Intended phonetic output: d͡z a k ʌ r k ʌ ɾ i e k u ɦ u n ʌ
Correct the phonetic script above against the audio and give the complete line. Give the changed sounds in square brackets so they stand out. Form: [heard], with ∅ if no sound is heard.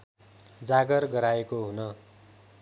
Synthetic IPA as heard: d͡z a [ɡ] ʌ r [ɡ] ʌ ɾ [a] e k [o] ɦ u n ʌ